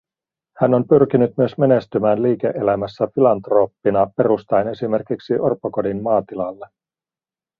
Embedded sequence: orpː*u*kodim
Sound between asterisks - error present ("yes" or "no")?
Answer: yes